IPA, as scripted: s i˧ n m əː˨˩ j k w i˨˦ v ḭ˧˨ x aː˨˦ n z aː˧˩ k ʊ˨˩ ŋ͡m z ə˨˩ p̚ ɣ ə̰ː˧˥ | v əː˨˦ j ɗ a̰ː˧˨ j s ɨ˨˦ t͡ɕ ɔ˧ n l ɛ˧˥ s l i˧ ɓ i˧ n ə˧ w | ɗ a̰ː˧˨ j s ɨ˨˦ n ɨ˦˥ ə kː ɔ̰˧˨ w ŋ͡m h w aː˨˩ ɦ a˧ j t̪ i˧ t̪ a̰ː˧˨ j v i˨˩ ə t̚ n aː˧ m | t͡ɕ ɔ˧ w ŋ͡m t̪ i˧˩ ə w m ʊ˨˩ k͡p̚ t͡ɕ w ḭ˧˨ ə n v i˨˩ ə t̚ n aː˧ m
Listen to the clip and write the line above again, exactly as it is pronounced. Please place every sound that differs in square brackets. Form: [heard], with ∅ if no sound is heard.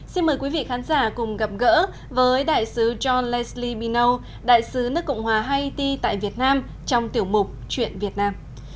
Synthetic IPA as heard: s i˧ n m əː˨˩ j k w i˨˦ v ḭ˧˨ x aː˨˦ n z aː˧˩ k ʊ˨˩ ŋ͡m [ɣ] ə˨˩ p̚ ɣ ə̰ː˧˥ | v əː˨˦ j ɗ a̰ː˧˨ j s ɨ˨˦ t͡ɕ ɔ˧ n l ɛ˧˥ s l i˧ ɓ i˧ n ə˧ w | ɗ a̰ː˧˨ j s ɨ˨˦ n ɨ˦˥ ə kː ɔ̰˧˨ w ŋ͡m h w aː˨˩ ɦ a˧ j t̪ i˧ t̪ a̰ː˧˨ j v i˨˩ ə t̚ n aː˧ m | t͡ɕ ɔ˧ w ŋ͡m t̪ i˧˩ ə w m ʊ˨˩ k͡p̚ t͡ɕ w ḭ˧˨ ə n v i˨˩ ə t̚ n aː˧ m